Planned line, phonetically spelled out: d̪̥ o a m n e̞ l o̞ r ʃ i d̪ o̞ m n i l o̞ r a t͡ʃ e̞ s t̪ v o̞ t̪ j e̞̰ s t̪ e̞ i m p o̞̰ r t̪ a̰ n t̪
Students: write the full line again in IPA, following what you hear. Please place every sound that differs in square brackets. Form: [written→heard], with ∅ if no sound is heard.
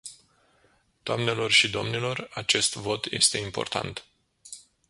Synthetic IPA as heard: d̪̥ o a m n e̞ l o̞ r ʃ i d̪ o̞ m n i l o̞ r a t͡ʃ e̞ s t̪ v o̞ t̪ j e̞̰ s t̪ e̞ i m p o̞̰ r t̪ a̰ n t̪